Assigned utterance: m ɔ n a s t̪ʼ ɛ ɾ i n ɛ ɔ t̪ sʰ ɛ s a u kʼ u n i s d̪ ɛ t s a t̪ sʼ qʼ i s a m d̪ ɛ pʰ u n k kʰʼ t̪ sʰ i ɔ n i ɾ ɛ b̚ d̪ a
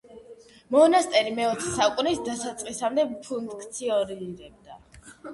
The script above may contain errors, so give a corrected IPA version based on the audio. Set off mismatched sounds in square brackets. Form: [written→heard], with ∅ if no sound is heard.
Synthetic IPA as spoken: m ɔ n a s t̪ʼ ɛ ɾ i [n→m] ɛ ɔ t̪ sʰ ɛ s a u kʼ u n i s d̪ [ɛ→a] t s a t̪ sʼ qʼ i s a m d̪ ɛ pʰ u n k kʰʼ t̪ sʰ i ɔ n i ɾ ɛ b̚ d̪ a